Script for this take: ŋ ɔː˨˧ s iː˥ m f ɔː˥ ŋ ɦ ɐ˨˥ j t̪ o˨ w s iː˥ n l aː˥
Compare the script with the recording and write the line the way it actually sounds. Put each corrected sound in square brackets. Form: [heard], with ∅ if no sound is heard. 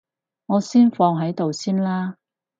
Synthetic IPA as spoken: ŋ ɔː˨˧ s iː˥ [n] f [ɔː˧] ŋ ɦ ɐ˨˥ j t̪ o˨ w s iː˥ n l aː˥